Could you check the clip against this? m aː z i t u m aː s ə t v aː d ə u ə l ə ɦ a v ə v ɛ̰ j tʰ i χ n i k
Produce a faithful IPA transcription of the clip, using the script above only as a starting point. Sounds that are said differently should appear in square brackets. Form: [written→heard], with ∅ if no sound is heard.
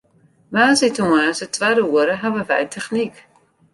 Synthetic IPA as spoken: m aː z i t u m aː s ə t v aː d ə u ə [l→ɾ] ə ɦ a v ə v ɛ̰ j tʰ [i→ɛ] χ n i k